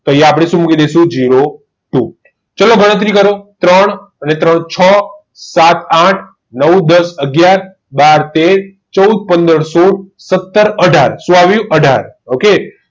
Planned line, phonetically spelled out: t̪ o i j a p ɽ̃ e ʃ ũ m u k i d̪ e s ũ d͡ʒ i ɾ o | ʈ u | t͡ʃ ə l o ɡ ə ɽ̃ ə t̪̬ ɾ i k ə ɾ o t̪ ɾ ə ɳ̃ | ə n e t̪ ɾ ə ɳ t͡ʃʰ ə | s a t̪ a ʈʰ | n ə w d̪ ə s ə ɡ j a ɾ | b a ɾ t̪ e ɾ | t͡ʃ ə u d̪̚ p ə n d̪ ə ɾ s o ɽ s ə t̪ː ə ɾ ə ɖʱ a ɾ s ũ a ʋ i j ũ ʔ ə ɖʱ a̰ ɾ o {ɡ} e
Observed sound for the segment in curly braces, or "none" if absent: k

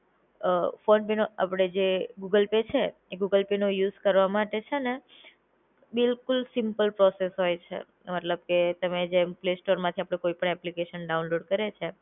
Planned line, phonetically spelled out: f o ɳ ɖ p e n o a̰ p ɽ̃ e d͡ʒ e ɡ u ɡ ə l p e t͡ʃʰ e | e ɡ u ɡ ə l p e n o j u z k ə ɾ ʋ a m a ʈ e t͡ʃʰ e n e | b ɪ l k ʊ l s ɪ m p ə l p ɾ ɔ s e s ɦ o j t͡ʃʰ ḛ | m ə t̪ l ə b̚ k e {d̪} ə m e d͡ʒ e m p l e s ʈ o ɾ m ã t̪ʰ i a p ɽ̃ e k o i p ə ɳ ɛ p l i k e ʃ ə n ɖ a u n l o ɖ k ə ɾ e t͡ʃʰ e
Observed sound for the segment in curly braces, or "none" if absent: t̪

